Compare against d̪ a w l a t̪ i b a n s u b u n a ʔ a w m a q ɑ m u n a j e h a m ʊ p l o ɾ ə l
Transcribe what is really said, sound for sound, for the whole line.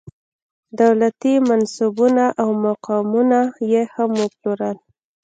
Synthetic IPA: d̪ a w l a t̪ i m a n s u b u n a ʔ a w m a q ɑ m u n a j e h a m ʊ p l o ɾ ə l